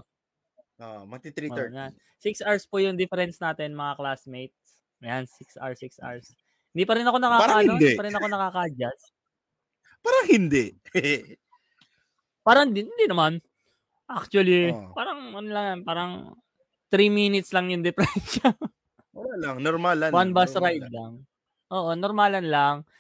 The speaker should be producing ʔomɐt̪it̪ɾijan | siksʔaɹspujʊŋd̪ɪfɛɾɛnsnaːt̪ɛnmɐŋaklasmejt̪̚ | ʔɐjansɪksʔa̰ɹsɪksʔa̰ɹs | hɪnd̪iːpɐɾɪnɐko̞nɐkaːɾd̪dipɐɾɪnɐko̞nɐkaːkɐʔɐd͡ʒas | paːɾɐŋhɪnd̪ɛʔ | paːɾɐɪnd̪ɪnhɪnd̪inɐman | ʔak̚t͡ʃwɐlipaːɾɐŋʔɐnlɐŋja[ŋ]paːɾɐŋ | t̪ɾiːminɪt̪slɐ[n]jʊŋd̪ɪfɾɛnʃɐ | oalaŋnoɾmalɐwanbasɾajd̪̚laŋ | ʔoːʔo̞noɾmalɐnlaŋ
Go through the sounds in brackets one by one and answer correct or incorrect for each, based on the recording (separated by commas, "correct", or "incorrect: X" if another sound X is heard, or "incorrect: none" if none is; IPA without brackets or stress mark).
incorrect: n, incorrect: ŋ